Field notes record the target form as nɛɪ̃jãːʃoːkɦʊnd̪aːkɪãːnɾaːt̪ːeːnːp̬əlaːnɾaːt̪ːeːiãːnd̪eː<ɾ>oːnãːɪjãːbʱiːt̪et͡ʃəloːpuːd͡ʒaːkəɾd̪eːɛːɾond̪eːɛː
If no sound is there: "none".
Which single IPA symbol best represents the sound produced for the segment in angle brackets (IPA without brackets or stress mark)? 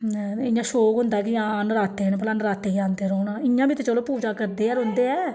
ɾ